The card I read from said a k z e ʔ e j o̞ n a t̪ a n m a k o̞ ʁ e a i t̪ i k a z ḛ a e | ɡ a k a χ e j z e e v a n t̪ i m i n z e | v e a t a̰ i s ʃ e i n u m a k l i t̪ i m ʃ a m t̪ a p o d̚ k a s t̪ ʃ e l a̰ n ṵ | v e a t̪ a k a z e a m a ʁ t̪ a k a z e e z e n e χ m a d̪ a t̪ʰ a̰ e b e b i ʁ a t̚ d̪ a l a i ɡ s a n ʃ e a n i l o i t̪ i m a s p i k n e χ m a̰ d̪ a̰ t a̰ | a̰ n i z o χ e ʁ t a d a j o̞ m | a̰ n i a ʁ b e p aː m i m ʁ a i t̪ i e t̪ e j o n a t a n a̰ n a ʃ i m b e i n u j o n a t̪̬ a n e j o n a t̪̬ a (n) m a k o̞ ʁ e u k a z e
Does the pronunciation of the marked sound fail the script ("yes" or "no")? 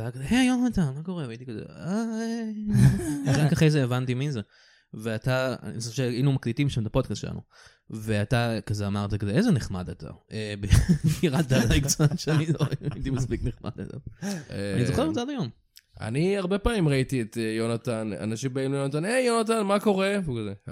no